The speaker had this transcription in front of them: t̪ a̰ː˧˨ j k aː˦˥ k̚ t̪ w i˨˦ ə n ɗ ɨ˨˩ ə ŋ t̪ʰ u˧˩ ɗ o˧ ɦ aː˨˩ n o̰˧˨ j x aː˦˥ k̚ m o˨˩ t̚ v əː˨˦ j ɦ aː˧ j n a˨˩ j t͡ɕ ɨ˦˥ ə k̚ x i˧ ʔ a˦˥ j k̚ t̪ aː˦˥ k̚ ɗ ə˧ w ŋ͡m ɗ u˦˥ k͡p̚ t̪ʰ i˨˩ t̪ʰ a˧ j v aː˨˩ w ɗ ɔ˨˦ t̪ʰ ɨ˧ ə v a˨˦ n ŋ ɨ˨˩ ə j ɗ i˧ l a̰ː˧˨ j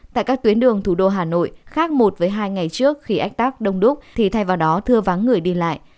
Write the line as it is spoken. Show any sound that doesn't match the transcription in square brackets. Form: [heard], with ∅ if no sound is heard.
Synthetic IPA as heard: t̪ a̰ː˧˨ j k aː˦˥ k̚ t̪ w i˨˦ ə n ɗ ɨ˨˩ ə ŋ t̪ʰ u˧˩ ɗ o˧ ɦ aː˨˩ n o̰˧˨ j x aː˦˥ k̚ m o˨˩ t̚ v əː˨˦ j ɦ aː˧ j [ŋ] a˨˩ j t͡ɕ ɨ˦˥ ə k̚ x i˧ ʔ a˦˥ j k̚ t̪ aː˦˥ k̚ ɗ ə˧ w ŋ͡m ɗ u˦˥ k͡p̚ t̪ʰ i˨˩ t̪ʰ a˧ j v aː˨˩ w ɗ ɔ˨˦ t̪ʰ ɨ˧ ə v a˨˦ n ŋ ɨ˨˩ ə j ɗ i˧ l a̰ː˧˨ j

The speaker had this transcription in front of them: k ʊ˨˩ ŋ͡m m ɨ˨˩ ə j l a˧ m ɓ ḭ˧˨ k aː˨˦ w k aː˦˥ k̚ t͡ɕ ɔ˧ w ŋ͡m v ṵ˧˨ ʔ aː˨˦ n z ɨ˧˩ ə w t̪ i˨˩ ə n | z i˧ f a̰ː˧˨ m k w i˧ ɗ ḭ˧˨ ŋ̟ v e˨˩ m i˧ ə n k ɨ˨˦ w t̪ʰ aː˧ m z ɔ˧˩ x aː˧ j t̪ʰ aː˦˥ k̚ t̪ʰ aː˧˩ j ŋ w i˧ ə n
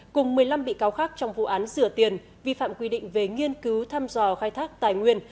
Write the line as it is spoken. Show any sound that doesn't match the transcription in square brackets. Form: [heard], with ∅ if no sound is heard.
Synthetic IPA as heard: k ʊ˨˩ ŋ͡m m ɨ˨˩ ə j l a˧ m ɓ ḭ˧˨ k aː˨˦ w [x] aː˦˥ k̚ t͡ɕ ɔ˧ w ŋ͡m v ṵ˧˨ ʔ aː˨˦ n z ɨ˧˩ ə [∅] t̪ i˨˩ ə n | [v] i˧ f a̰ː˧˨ m k w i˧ ɗ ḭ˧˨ ŋ̟ v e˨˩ [ŋ] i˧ ə n k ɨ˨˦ w t̪ʰ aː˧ m z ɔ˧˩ x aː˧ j t̪ʰ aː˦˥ k̚ [t̪] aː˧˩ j ŋ w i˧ ə n

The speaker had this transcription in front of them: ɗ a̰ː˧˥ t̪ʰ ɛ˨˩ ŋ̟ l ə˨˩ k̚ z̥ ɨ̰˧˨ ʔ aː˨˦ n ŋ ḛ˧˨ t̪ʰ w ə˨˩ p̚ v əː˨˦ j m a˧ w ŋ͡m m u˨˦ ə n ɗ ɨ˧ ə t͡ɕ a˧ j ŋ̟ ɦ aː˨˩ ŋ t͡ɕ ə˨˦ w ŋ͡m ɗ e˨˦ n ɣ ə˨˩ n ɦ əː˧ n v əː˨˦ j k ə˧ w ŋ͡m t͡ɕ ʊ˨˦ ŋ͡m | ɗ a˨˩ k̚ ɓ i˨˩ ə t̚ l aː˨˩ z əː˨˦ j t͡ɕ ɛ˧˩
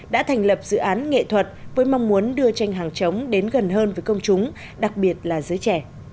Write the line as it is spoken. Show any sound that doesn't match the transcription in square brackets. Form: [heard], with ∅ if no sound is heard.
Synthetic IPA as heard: ɗ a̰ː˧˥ t̪ʰ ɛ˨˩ ŋ̟ l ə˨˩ [p̚] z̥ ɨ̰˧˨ ʔ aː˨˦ n ŋ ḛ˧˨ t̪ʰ w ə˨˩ [t̚] v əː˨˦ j m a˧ w ŋ͡m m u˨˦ ə n ɗ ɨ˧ ə t͡ɕ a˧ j ŋ̟ ɦ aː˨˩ ŋ t͡ɕ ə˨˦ w ŋ͡m ɗ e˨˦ n ɣ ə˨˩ n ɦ əː˧ n v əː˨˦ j k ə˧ w ŋ͡m t͡ɕ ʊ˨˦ ŋ͡m | ɗ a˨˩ k̚ ɓ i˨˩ ə t̚ l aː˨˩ z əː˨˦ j t͡ɕ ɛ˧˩

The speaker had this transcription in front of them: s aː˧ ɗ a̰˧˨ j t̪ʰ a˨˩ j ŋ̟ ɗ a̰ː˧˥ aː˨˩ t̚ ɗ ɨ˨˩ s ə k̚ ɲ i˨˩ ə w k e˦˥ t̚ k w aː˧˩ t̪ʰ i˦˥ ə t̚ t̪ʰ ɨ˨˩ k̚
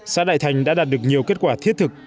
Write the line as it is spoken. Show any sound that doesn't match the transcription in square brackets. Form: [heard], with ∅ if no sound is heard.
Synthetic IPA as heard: s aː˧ ɗ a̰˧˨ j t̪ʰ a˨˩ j ŋ̟ ɗ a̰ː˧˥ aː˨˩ t̚ ɗ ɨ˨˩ [∅] ə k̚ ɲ i˨˩ ə w k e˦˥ t̚ k w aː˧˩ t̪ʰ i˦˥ ə t̚ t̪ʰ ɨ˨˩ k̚

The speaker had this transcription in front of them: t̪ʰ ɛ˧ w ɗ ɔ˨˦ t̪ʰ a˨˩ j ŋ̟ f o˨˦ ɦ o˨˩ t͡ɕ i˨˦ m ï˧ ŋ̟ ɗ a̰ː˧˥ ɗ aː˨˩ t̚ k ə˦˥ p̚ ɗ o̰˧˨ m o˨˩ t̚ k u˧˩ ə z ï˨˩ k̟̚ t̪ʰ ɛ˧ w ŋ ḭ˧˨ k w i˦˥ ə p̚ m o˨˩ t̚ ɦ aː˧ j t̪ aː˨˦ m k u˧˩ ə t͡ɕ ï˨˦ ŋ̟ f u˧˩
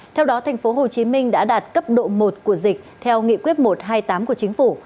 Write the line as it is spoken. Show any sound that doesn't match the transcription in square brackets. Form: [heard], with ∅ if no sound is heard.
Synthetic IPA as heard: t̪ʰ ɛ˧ w ɗ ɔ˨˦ t̪ʰ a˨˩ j ŋ̟ f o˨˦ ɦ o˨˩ t͡ɕ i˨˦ m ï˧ ŋ̟ ɗ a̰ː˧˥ ɗ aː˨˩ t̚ k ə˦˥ p̚ ɗ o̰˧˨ m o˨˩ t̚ k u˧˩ ə z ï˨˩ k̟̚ t̪ʰ ɛ˧ w ŋ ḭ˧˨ k w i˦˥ ə [t̚] m o˨˩ t̚ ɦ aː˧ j t̪ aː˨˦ m k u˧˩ ə t͡ɕ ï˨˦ ŋ̟ f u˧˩

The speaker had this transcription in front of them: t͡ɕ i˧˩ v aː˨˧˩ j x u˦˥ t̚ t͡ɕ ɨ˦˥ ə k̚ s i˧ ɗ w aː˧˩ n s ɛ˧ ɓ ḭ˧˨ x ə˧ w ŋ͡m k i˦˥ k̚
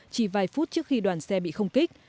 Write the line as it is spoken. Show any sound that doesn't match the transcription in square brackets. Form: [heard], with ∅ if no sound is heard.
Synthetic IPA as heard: t͡ɕ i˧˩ v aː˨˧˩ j [f] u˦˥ t̚ t͡ɕ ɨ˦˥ ə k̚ [x] i˧ ɗ w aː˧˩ n s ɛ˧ ɓ ḭ˧˨ x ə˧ w ŋ͡m k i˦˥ k̚

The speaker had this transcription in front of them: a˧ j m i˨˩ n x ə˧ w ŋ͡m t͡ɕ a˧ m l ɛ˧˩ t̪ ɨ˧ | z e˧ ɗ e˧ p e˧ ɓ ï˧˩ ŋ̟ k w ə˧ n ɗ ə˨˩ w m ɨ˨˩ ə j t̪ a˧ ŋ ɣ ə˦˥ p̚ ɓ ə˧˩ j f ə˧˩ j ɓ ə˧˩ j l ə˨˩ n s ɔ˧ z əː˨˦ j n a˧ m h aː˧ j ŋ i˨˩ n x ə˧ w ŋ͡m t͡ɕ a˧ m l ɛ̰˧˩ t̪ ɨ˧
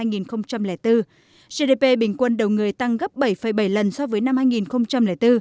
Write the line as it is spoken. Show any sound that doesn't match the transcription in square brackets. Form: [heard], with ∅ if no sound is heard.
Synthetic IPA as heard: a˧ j [ŋ] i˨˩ n x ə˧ w ŋ͡m t͡ɕ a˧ m l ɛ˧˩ t̪ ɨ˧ | z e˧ ɗ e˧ p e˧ ɓ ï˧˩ ŋ̟ k w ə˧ n ɗ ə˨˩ w [ŋ] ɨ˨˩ ə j t̪ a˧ ŋ ɣ ə˦˥ p̚ ɓ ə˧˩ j f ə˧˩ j ɓ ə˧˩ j l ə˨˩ n s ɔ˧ [v] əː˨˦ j n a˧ m h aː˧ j ŋ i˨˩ n x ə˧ w ŋ͡m t͡ɕ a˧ m l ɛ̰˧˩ t̪ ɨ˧

